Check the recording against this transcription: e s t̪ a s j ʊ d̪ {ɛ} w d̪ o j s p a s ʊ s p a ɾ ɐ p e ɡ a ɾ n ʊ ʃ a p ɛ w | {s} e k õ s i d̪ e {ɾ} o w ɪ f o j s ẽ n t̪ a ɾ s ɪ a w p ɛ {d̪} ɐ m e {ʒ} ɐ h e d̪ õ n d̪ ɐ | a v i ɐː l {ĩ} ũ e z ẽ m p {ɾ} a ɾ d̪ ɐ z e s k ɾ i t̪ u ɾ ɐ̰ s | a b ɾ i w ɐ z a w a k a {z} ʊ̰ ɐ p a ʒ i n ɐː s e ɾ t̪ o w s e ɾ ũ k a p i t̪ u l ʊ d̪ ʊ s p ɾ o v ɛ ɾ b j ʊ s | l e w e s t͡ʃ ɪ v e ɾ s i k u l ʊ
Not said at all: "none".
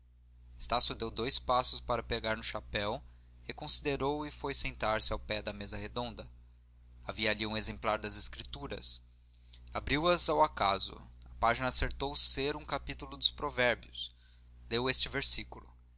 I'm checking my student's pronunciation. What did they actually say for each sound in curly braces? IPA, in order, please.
e, h, ɾ, d̪, z, i, l, z

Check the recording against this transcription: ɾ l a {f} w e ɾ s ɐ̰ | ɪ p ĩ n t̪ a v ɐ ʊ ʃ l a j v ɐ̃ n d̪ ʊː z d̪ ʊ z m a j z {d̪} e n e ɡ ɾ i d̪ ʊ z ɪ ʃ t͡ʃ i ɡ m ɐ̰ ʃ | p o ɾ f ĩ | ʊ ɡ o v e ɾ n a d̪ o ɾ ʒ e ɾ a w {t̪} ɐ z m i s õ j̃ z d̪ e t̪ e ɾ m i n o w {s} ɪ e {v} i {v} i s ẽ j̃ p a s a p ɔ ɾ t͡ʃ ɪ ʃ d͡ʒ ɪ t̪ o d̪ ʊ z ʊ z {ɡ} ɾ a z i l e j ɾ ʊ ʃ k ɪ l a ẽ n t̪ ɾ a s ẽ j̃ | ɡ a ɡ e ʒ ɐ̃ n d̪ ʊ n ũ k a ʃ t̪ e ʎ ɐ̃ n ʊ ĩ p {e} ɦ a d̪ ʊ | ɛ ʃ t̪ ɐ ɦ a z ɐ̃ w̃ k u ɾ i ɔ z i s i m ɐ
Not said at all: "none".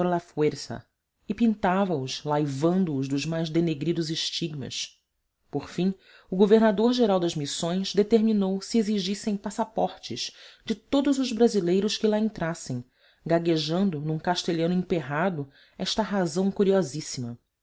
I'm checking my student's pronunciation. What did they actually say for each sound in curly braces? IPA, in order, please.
f, d̪, d̪, s, z, ʒ, b, e

